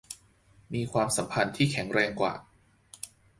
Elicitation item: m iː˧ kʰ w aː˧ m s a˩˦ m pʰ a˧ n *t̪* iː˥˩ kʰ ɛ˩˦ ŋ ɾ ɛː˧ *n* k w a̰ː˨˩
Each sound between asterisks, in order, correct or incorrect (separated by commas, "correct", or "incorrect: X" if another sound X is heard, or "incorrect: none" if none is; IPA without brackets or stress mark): incorrect: t̪ʰ, incorrect: ŋ